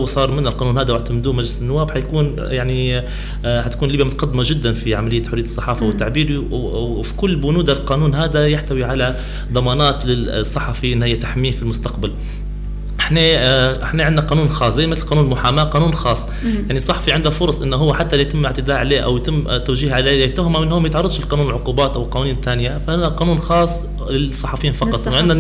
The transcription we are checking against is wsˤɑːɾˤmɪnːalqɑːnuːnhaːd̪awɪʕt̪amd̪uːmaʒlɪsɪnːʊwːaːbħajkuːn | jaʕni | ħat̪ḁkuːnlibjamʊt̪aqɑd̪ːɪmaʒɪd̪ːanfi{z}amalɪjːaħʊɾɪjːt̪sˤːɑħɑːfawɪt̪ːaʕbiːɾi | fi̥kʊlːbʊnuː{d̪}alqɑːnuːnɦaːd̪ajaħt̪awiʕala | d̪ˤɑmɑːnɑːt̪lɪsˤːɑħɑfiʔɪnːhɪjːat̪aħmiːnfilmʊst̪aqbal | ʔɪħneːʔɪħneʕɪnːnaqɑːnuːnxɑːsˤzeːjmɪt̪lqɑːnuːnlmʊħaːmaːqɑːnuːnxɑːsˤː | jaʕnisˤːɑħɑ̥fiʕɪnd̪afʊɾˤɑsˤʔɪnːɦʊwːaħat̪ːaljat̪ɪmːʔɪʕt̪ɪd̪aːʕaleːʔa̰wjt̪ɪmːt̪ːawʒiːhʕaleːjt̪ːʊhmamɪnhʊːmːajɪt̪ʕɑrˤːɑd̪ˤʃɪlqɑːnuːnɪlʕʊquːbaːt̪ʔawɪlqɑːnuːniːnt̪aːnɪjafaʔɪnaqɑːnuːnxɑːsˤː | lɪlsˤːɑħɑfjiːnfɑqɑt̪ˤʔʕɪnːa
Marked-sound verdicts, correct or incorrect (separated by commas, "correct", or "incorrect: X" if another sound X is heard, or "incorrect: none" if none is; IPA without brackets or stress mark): incorrect: ʕ, correct